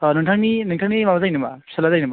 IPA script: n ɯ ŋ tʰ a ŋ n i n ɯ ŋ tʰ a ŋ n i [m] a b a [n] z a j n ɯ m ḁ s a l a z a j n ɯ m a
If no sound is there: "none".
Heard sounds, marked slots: m, none

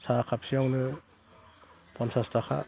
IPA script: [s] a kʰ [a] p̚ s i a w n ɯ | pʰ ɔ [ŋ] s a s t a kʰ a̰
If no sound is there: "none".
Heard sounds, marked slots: s, a, n

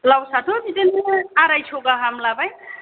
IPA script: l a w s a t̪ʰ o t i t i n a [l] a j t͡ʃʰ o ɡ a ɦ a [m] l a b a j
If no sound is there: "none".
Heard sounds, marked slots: ɾ, m

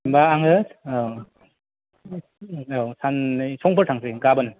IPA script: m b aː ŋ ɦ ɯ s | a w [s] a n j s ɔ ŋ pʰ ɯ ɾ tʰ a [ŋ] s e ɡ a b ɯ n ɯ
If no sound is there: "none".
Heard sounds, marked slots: s, ŋ

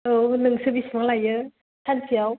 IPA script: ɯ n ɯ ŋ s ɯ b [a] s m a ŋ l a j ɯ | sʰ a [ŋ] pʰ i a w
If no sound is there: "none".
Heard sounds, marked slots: i, n

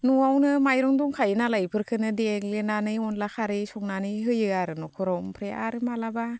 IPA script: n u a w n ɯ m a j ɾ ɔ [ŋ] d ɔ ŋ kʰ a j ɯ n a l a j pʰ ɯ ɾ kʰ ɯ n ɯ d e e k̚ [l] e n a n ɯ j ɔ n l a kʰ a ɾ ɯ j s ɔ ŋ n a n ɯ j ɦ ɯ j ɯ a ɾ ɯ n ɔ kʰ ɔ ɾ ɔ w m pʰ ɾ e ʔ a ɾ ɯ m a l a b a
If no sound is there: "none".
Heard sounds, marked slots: ŋ, l

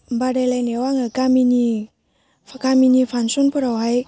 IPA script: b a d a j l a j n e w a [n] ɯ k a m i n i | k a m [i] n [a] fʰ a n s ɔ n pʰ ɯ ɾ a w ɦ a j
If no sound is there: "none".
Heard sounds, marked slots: ŋ, i, i

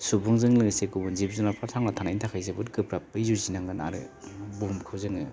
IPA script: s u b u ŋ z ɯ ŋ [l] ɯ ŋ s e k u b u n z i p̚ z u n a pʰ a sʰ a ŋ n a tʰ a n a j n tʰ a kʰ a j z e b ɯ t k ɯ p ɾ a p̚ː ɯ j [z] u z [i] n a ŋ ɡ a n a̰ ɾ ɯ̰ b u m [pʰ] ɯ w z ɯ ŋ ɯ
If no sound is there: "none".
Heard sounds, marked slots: l, z, i, kʰ

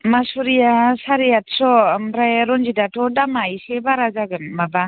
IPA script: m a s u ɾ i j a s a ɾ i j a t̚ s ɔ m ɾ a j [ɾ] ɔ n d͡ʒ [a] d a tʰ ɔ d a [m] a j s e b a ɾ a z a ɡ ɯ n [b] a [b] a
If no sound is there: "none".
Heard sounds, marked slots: ɾ, i, m, m, b

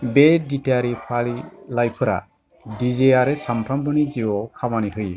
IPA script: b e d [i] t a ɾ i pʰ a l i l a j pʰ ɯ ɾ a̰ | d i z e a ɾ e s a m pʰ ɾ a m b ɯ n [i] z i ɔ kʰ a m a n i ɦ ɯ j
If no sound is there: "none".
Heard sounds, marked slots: i, i

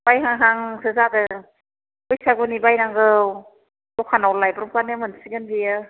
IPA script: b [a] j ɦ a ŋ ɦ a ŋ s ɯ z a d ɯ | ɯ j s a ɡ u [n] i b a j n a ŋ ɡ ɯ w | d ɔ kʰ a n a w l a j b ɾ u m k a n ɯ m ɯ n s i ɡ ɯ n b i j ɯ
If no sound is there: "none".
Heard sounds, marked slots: a, n

